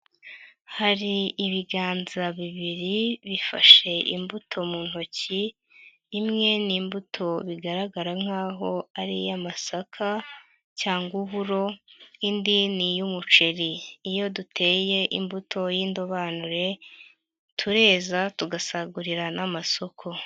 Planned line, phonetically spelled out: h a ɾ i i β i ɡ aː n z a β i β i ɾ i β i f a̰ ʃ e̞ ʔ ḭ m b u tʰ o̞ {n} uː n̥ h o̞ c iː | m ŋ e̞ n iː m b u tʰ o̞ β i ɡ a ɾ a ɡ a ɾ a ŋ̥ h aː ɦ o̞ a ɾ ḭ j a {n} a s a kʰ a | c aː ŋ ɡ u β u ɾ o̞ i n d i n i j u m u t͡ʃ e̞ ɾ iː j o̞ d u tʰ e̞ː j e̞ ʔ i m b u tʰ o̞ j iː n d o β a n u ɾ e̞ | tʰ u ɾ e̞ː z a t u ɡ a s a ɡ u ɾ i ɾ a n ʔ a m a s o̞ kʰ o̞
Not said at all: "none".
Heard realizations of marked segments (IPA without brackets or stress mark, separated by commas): m, m